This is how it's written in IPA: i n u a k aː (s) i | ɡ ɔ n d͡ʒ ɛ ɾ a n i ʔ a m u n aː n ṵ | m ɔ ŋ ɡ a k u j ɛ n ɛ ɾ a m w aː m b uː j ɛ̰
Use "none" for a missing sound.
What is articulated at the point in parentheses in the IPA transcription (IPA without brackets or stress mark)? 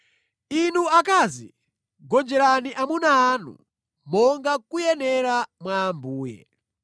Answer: z